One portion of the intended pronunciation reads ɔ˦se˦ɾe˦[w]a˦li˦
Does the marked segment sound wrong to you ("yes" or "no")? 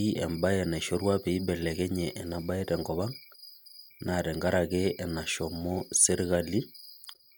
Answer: yes